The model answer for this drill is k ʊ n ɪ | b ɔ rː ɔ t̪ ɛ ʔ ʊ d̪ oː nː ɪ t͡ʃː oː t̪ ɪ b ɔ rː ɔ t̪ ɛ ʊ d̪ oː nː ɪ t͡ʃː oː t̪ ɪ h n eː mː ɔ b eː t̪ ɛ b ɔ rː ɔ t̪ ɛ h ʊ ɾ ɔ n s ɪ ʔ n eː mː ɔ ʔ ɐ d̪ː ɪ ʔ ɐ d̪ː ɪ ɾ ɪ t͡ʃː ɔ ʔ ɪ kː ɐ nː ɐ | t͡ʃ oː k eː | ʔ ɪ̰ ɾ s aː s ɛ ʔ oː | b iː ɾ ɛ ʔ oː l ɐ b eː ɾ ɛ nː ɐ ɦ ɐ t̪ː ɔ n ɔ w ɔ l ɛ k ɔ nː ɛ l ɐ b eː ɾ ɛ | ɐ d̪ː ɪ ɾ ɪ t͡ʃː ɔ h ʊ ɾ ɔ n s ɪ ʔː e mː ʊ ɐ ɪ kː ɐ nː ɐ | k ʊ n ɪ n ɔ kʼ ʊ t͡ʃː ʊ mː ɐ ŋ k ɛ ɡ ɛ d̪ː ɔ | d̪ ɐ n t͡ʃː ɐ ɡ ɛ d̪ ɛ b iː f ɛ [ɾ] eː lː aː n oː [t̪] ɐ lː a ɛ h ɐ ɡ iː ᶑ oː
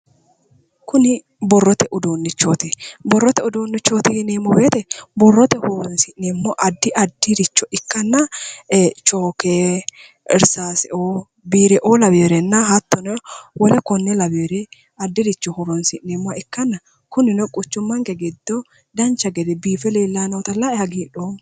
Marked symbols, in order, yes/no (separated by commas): no, yes